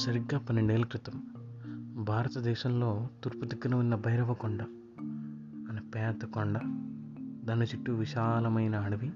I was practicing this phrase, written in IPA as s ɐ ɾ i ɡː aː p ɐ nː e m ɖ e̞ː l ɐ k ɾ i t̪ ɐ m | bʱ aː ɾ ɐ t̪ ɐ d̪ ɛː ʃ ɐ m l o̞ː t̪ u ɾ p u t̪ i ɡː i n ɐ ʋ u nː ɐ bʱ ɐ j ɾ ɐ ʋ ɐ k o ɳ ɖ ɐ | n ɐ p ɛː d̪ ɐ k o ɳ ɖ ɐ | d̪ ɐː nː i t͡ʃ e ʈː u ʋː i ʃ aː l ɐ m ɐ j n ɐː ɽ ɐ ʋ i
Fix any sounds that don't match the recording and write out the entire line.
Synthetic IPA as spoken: s ɐ ɾ i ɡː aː p ɐ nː e ɳ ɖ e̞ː l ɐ k ɾ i t̪ ɐ m | bʱ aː ɾ ɐ t̪ ɐ d̪ ɛː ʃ ɐ m l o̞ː t̪ u ɾ p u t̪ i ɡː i n ɐ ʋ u nː ɐ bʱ ɐ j ɾ ɐ ʋ ɐ k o ɳ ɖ ɐ | n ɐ p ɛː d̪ ɐ k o ɳ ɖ ɐ | d̪ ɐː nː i t͡ʃ i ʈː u ʋ i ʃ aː l ɐ m ɐ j n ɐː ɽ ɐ ʋ i